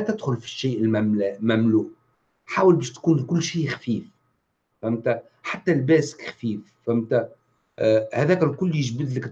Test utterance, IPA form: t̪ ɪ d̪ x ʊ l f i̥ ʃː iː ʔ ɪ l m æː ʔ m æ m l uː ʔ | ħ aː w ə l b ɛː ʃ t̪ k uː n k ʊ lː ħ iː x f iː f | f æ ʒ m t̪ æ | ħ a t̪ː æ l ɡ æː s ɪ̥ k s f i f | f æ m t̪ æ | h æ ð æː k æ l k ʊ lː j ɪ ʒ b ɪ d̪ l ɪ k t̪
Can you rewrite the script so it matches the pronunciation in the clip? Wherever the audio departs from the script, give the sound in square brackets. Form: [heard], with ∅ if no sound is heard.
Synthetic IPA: t̪ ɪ d̪ x ʊ l f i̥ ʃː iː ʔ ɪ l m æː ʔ m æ m l uː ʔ | ħ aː w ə l b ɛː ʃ t̪ k uː n k ʊ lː [ʃ] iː x f iː f | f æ [∅] m t̪ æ | ħ a t̪ː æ l [b] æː s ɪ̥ k [x] f [iː] f | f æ m t̪ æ | h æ ð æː k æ l k ʊ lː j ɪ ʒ b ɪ d̪ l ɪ k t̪